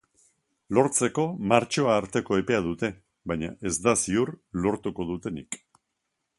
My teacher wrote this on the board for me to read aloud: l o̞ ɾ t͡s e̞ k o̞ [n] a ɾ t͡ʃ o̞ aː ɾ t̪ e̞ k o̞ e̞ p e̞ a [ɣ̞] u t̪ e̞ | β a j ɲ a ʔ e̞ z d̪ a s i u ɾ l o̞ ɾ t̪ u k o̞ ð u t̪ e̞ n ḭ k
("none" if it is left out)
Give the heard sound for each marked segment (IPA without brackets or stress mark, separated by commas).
m, ð̞